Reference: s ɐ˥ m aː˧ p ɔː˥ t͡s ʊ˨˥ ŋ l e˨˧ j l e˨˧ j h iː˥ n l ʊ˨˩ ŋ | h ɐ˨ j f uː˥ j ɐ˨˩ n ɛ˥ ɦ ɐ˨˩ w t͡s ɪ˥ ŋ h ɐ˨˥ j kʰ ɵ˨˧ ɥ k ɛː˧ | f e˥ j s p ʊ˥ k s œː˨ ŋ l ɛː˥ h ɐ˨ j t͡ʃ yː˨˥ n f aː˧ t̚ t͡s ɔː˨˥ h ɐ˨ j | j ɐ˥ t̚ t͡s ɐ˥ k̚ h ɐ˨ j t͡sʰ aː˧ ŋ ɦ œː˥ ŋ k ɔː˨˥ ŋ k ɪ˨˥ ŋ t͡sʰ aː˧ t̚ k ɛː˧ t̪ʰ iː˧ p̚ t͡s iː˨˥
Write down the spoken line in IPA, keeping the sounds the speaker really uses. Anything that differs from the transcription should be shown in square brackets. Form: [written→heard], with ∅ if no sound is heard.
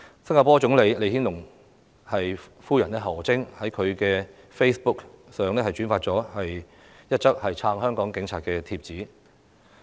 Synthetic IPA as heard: s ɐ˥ [m→ŋ] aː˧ p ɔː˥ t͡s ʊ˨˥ ŋ l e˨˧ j l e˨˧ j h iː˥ n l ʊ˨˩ ŋ | h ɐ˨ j f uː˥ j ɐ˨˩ n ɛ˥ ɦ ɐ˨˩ w t͡s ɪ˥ ŋ h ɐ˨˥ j kʰ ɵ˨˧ ɥ k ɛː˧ | f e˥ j s p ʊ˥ k s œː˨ ŋ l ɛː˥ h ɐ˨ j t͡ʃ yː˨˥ n f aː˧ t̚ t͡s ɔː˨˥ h ɐ˨ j | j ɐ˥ t̚ t͡s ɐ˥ k̚ h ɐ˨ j t͡sʰ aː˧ ŋ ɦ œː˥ ŋ k ɔː˨˥ ŋ k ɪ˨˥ ŋ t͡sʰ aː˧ t̚ k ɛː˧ t̪ʰ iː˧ p̚ t͡s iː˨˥